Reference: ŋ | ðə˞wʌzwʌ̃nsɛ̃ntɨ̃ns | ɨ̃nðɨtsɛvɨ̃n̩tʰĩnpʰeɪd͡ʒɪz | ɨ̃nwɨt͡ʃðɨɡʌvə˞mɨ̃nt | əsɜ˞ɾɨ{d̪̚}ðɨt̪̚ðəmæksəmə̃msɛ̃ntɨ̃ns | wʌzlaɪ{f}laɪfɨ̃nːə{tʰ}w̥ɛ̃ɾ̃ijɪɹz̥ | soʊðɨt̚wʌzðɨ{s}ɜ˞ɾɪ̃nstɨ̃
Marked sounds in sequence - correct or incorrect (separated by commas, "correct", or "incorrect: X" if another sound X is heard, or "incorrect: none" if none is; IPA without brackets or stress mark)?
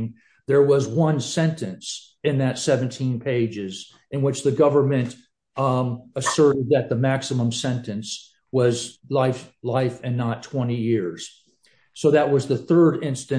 correct, correct, correct, incorrect: θ